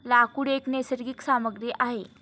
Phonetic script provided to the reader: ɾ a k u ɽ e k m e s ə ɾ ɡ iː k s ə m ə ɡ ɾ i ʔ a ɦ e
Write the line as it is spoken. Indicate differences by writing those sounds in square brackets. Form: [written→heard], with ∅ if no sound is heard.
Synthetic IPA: [ɾ→l] a k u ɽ e k [m→n] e s ə ɾ ɡ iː k s [ə→a] m ə ɡ ɾ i ʔ a ɦ e